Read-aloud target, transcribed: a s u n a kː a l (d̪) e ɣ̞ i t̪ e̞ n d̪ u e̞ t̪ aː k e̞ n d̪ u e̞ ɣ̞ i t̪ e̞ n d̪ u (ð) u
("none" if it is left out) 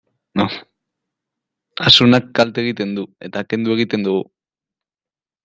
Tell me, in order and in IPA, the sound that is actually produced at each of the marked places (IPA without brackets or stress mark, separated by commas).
t̪, ɣ